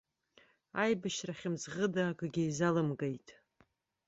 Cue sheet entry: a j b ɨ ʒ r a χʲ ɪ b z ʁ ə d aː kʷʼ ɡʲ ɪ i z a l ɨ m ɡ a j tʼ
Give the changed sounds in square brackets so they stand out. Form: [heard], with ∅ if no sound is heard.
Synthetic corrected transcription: a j b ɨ [ʃ] r a χʲ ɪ [m] z ʁ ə d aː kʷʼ ɡʲ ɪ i z a l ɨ m ɡ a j tʼ